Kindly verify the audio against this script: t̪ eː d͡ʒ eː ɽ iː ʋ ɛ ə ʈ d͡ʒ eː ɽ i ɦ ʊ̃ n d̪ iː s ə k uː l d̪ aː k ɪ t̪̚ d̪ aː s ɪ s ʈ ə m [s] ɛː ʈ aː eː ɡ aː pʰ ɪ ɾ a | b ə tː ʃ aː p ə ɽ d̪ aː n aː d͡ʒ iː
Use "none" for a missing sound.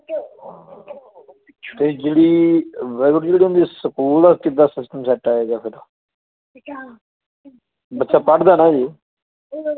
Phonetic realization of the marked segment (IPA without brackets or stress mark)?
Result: s